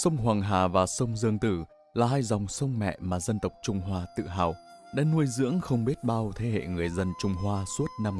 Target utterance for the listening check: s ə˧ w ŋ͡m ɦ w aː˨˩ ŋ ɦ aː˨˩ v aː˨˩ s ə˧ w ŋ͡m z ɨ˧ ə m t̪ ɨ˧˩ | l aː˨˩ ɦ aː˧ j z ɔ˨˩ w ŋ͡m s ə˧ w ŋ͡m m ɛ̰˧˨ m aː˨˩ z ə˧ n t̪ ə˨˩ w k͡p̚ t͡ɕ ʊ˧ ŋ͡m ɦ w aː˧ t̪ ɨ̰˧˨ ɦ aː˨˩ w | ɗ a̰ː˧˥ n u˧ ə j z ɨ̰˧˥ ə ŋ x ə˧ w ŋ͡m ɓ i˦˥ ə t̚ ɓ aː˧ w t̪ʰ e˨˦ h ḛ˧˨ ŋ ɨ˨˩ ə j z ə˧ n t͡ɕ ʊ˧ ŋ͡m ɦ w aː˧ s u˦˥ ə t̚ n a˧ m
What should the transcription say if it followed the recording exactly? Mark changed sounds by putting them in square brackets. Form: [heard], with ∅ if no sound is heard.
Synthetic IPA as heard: s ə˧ w ŋ͡m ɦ w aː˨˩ ŋ ɦ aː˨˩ v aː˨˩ s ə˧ w ŋ͡m z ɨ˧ ə [ŋ] t̪ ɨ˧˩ | l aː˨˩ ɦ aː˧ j z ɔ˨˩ w ŋ͡m s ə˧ w ŋ͡m m ɛ̰˧˨ m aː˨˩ z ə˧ n t̪ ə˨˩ w k͡p̚ t͡ɕ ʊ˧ ŋ͡m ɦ w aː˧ t̪ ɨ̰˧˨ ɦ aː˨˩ w | ɗ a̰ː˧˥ n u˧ ə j z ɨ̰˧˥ ə ŋ x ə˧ w ŋ͡m ɓ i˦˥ ə t̚ ɓ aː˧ w t̪ʰ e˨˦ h ḛ˧˨ ŋ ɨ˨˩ ə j z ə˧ n t͡ɕ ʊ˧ ŋ͡m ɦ w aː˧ s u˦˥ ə t̚ n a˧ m